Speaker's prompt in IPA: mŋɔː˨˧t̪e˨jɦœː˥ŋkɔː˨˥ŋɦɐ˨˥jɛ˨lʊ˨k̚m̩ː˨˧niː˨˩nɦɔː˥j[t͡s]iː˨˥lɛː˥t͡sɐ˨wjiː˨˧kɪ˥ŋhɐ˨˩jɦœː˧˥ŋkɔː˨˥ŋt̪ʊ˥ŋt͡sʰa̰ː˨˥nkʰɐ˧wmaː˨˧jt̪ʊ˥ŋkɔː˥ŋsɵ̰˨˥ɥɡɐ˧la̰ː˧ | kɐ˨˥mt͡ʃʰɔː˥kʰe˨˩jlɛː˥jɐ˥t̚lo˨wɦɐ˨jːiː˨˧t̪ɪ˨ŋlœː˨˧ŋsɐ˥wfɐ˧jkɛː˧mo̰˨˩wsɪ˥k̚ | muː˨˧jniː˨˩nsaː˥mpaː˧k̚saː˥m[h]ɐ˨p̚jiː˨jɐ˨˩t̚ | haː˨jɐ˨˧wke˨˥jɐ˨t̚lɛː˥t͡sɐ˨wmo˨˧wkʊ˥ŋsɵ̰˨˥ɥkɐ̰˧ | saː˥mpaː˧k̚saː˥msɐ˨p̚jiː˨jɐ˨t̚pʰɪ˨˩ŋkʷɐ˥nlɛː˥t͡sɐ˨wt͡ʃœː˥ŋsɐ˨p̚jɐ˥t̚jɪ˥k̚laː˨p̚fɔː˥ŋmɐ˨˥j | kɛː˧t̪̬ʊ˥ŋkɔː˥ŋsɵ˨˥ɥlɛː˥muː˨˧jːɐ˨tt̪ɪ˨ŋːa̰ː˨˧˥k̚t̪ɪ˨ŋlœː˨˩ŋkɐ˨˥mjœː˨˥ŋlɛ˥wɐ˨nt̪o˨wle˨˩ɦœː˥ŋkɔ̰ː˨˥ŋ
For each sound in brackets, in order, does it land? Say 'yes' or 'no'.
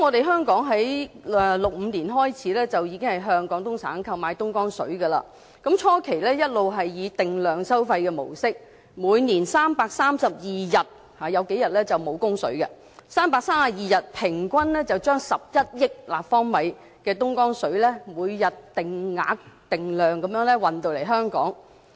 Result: no, no

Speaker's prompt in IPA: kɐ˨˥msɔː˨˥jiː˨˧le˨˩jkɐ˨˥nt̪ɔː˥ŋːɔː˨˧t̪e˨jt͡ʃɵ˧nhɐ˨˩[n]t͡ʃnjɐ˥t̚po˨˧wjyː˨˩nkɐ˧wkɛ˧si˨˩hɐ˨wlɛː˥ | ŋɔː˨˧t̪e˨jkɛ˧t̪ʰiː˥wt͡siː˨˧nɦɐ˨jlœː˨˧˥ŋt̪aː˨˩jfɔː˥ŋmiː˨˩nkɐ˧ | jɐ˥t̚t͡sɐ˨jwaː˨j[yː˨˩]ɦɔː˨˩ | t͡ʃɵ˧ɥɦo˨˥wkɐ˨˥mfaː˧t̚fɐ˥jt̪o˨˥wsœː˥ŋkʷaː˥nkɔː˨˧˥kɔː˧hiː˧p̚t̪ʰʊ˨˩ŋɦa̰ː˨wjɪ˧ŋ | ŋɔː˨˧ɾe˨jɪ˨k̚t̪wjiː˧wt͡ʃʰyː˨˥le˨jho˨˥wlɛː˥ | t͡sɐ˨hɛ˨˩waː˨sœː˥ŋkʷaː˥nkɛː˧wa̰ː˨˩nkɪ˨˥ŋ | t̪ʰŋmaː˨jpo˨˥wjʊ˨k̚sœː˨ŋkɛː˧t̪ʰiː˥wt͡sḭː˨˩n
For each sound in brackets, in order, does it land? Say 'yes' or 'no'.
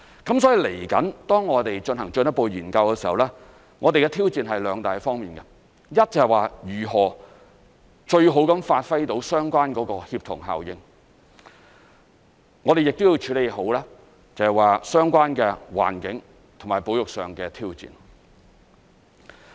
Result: no, yes

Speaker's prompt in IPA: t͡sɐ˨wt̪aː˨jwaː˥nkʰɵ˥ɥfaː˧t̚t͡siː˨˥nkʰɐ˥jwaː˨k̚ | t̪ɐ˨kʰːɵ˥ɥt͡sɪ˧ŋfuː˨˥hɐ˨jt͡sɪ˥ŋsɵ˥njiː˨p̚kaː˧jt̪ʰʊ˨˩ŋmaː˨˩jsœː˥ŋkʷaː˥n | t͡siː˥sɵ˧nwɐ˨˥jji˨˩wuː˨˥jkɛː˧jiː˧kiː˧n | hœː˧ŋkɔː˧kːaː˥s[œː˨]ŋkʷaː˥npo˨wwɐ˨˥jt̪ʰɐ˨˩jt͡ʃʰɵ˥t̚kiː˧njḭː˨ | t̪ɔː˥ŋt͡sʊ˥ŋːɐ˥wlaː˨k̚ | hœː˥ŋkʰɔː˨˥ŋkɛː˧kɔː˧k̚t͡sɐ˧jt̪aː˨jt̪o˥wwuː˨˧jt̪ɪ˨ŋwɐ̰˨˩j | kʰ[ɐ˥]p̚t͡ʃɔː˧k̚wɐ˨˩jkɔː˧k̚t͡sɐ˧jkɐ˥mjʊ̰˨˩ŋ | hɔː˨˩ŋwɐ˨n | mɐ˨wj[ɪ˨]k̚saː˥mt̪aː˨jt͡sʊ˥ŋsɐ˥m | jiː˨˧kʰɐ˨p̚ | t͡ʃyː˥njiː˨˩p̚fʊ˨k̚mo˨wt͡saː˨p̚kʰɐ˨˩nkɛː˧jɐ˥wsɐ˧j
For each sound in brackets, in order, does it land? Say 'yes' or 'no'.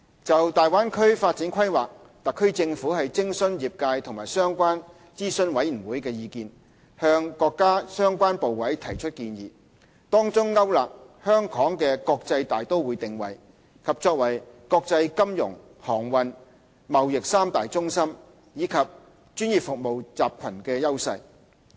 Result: no, no, yes

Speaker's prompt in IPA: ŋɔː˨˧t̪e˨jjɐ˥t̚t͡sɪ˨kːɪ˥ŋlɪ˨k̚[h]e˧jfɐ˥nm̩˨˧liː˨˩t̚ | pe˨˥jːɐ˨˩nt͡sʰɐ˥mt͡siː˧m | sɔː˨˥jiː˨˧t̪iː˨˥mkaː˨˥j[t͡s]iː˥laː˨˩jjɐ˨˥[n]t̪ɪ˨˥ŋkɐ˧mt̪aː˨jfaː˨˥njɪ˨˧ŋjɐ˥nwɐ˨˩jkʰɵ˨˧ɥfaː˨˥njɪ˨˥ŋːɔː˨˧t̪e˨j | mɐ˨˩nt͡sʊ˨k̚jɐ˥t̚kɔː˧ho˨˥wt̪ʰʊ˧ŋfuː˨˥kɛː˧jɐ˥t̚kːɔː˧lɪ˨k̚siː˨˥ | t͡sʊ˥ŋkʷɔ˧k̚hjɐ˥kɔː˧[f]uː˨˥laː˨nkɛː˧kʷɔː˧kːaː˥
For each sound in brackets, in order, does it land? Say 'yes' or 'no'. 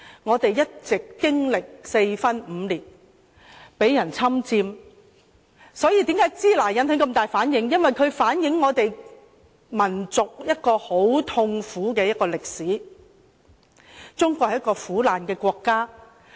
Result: no, yes, yes, yes

